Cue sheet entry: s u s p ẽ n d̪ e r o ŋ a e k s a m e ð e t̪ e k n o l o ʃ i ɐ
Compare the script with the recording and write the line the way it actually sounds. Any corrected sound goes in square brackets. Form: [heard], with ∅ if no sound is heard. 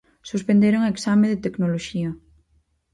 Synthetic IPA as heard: s u s p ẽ n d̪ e [ɾ] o ŋ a e k s a m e ð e t̪ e k n o l o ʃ i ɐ